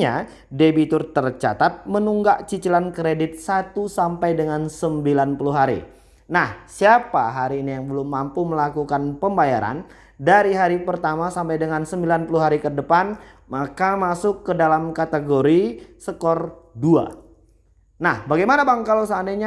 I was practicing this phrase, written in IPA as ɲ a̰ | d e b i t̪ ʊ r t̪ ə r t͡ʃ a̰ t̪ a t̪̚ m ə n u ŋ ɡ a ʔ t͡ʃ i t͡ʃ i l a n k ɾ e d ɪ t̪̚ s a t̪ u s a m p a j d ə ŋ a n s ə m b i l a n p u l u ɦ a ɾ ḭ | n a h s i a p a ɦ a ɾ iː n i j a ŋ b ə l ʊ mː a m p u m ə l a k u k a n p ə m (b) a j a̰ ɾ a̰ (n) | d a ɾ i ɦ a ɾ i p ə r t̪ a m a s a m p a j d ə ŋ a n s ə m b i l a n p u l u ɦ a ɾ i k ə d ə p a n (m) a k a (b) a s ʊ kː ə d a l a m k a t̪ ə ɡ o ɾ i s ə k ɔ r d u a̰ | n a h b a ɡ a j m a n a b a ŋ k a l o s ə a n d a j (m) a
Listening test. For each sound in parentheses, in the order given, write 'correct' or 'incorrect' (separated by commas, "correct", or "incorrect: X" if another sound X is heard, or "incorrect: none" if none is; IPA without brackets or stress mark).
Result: correct, correct, correct, incorrect: m, incorrect: ɲ